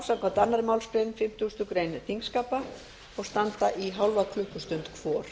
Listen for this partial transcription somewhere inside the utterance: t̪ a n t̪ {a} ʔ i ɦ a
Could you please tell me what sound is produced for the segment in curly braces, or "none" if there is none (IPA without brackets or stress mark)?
a